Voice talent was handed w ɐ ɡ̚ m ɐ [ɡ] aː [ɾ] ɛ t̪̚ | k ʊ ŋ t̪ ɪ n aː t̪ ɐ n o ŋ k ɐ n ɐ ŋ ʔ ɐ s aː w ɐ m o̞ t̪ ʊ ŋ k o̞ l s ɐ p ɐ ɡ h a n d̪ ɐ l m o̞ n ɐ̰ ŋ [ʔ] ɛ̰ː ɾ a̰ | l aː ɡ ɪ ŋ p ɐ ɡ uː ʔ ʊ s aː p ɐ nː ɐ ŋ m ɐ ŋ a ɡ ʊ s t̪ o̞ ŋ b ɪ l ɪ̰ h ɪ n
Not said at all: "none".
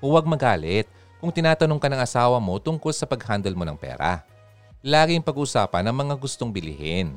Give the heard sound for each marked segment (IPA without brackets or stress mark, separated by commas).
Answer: ɡ, l, p